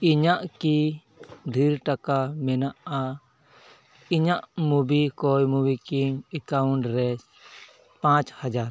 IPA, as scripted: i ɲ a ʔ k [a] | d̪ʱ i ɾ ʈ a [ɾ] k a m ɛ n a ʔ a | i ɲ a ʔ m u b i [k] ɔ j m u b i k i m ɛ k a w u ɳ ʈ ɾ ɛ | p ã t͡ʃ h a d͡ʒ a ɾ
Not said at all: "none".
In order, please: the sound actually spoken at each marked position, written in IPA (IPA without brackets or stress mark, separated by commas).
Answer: i, none, k